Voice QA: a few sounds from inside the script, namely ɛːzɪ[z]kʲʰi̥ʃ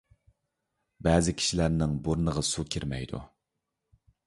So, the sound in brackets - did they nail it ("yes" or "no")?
no